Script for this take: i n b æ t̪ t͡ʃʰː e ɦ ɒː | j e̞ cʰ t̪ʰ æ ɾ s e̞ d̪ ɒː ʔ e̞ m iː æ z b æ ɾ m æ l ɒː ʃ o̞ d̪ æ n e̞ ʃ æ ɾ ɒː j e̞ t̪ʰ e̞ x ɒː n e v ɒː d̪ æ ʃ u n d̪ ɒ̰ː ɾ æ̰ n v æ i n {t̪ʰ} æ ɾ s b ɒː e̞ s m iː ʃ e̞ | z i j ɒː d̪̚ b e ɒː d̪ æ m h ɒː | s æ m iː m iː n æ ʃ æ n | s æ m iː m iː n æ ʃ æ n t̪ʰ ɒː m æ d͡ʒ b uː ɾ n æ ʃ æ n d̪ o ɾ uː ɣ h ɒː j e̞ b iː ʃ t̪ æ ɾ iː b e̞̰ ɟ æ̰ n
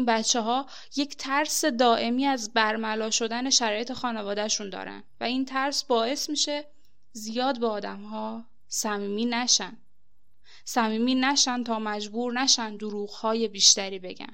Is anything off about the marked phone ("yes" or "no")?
no